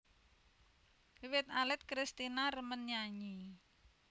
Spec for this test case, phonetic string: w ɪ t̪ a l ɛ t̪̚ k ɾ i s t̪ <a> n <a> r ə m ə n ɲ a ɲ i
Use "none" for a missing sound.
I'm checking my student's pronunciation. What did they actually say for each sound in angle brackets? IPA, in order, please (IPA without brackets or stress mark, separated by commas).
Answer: i, a